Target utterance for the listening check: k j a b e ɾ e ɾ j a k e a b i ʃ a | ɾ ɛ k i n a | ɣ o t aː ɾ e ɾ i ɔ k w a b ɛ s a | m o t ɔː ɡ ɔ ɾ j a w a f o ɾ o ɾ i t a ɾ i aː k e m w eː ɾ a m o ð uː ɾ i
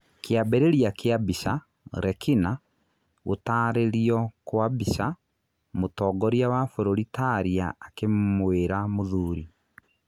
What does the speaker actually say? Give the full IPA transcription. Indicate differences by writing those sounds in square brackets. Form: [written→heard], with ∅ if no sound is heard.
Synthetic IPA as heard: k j a b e ɾ e ɾ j a k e a b i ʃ a | ɾ ɛ k i n a | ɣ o t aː ɾ e ɾ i ɔ k w a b [ɛ→i] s a | m o t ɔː ɡ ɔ ɾ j a w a f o ɾ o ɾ i t a ɾ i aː k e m w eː ɾ a m o ð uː ɾ i

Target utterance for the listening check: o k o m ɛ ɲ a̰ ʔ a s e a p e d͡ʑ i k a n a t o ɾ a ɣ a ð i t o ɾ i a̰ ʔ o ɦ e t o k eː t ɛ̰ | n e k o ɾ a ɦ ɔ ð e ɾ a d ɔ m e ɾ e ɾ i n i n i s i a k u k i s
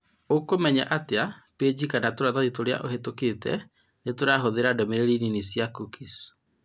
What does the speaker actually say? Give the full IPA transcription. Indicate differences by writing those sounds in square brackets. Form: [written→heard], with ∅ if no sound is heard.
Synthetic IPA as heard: o k o m ɛ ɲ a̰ ʔ a [s→t] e a p e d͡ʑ i k a n a t o ɾ a [ɣ→ð] a ð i t o ɾ [i→e] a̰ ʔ o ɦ e t o k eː t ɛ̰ | n e [k→t] o ɾ a ɦ [ɔ→o] ð e ɾ a d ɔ m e ɾ e ɾ i n i n i s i a k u k i s

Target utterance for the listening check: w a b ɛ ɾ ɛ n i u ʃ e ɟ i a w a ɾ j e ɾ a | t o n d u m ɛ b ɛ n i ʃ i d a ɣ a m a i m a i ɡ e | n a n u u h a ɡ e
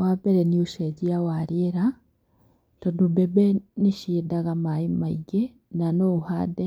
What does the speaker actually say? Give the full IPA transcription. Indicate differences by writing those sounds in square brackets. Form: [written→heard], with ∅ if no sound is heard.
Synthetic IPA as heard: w a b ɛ ɾ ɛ n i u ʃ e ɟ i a w a ɾ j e ɾ a | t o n d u [m→b] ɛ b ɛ n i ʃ i d a ɣ a m a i m a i ɡ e | n a n [u→o] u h a [ɡ→d] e

